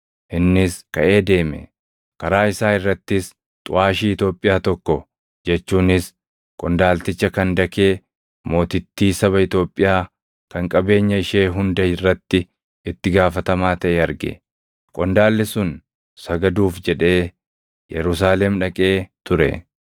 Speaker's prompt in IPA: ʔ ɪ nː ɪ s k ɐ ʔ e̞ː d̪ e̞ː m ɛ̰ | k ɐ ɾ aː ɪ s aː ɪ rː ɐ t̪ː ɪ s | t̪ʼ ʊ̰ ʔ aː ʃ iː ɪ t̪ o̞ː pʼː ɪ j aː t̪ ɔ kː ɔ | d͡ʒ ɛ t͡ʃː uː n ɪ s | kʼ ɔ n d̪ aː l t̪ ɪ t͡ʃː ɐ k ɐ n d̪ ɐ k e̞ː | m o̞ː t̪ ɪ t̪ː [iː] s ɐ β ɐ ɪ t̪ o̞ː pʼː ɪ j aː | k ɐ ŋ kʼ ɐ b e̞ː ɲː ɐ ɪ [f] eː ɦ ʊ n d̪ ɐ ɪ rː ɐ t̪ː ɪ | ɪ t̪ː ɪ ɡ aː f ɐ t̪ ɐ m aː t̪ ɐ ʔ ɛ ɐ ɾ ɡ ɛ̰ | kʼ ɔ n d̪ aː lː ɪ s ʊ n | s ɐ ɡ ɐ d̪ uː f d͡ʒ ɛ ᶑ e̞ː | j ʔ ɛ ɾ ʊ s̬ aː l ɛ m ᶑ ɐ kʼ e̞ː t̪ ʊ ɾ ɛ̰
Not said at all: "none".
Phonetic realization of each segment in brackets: iː, ʃ

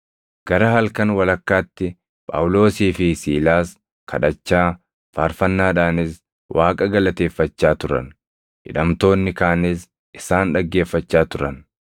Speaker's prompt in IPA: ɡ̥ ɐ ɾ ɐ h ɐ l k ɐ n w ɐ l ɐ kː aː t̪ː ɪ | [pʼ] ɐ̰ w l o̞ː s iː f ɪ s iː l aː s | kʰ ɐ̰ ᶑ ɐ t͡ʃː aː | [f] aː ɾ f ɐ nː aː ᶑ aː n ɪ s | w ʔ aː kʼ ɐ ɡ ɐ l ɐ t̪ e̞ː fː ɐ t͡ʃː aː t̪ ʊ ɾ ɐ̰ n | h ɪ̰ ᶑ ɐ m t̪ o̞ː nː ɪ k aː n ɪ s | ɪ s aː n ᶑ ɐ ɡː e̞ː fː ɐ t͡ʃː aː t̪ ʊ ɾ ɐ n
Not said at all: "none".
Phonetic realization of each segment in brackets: pʼ, f

